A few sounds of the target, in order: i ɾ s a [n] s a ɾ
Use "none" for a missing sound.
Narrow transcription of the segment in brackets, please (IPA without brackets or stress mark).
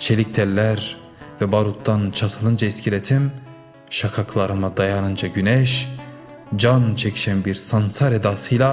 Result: n